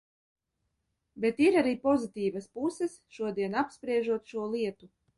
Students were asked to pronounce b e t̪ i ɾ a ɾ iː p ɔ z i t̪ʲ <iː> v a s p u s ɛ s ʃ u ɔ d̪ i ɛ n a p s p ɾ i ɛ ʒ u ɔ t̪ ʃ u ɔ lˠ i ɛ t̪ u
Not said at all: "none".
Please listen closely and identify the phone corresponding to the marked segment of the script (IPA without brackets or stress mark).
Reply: iː